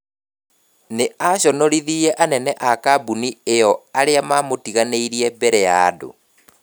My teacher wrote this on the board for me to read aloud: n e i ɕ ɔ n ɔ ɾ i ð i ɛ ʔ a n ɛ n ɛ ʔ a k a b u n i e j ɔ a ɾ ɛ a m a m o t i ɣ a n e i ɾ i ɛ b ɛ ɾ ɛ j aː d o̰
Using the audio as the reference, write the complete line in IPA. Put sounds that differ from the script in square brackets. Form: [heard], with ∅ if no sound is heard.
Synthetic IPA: n e [a] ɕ ɔ n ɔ ɾ i ð i ɛ ʔ a n ɛ n ɛ ʔ a k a b u n i e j ɔ a ɾ [e] a m a m o t i ɣ a n e i ɾ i ɛ b ɛ ɾ ɛ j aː d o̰